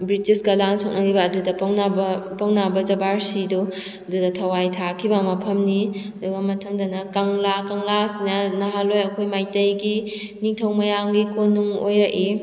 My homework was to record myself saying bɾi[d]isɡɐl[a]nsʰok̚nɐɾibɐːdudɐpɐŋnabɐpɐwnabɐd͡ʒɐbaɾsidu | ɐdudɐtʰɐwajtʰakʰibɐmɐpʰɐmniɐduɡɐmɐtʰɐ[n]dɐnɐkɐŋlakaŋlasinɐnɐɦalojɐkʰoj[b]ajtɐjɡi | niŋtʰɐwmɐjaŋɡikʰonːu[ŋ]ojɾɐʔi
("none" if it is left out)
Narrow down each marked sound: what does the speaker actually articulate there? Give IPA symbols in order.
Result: t, a, ŋ, m, ŋ

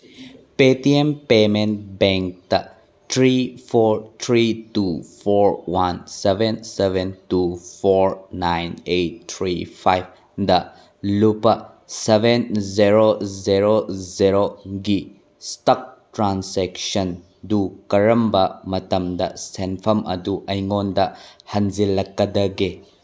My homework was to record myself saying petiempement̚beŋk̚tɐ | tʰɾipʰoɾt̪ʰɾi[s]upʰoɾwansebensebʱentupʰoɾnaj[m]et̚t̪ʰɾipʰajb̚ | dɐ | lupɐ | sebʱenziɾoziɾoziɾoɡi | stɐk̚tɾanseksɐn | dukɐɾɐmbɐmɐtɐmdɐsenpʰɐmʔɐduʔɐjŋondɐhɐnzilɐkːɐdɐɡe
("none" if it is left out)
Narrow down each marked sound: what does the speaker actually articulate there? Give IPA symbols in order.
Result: t, n

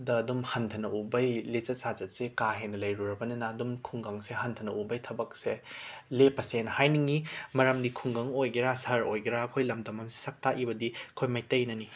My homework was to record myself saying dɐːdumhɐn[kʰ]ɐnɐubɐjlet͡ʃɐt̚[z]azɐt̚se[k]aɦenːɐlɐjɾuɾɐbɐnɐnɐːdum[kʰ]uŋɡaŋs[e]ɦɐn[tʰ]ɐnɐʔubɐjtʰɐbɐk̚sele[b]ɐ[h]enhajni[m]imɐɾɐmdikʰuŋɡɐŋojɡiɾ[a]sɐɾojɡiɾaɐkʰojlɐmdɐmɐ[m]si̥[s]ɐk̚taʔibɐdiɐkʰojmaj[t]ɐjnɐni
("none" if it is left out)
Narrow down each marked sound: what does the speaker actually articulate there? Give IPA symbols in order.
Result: tʰ, s, k, kʰ, e, tʰ, p, s, ŋ, a, m, s, t

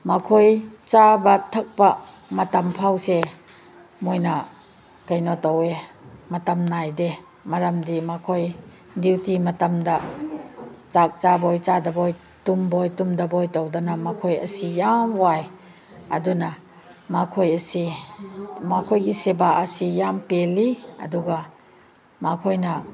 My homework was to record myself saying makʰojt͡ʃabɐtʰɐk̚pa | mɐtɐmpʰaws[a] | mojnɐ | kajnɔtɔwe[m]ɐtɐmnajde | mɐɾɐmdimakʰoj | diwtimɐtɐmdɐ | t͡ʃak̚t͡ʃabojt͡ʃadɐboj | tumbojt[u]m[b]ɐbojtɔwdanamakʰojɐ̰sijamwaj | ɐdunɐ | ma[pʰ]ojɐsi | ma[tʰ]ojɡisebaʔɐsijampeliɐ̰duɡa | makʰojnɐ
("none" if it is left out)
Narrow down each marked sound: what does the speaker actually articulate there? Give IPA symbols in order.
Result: e, m, u, d, kʰ, kʰ

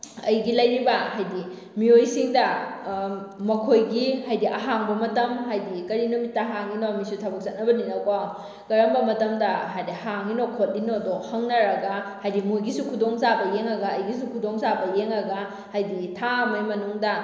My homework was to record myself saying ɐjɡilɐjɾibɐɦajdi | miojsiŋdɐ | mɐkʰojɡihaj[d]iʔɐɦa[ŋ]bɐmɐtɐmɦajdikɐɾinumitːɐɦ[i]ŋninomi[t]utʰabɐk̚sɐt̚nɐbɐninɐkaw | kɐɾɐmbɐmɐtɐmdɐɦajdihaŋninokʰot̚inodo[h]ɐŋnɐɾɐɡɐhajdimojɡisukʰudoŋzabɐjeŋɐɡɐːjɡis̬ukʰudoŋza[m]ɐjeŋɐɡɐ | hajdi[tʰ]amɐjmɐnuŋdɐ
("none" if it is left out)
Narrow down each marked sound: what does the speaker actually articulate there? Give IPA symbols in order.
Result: d, ŋ, a, s, h, b, tʰ

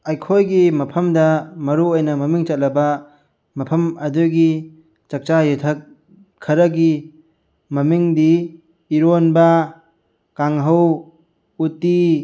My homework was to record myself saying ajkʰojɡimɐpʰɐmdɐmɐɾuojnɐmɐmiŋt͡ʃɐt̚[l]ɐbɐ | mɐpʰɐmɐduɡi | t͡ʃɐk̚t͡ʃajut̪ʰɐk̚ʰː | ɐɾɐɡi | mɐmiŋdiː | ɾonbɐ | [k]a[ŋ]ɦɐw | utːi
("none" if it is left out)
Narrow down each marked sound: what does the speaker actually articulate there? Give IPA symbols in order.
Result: l, k, ŋ

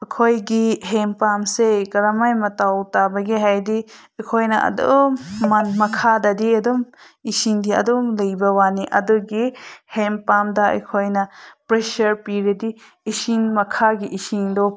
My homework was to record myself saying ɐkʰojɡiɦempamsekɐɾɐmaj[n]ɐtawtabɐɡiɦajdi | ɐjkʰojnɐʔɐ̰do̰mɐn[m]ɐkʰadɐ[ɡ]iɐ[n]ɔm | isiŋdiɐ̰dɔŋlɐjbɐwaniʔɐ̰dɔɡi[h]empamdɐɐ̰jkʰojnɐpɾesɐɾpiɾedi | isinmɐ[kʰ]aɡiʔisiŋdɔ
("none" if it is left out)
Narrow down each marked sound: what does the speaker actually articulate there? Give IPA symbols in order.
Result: m, m, d, d, h, kʰ

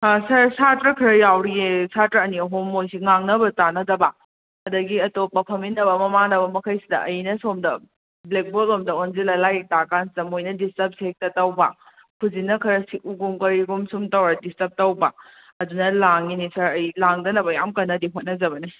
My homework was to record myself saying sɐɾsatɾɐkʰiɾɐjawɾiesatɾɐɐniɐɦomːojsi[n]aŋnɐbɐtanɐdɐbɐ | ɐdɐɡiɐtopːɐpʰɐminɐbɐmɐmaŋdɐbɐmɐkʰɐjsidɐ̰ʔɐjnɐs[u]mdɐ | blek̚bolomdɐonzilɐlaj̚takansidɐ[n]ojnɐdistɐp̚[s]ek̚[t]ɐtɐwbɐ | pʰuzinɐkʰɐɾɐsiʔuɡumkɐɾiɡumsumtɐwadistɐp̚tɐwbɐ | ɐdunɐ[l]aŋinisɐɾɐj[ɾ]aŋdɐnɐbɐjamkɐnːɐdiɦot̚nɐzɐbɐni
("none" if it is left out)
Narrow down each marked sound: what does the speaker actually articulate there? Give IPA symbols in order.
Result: ŋ, o, m, s, t, l, l

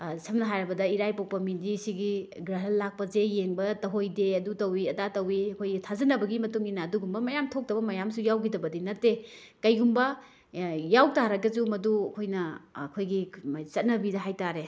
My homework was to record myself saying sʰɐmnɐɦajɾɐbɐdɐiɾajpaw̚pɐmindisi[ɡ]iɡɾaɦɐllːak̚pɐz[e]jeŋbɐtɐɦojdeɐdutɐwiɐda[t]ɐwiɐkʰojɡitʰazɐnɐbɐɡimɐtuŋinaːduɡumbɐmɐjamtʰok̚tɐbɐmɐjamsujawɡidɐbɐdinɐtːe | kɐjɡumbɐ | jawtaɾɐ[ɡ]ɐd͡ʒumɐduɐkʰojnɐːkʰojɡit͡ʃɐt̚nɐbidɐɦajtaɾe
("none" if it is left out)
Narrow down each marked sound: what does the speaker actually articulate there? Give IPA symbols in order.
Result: ɡ, e, t, ɡ

